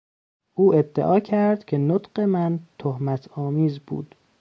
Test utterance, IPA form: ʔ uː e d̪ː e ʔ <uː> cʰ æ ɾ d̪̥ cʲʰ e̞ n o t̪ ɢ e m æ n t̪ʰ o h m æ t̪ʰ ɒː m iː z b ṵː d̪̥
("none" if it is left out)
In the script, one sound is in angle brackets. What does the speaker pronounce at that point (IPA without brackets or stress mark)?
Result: ɒː